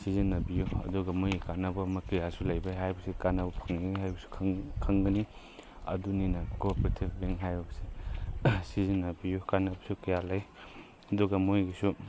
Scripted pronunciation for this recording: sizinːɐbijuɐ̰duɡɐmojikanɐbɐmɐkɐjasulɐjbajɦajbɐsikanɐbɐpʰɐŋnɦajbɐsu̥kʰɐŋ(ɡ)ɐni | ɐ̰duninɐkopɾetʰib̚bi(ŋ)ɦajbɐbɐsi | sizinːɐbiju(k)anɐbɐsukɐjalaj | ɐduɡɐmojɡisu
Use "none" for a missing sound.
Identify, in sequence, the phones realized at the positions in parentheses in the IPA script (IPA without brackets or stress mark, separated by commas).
ɡ, ŋ, k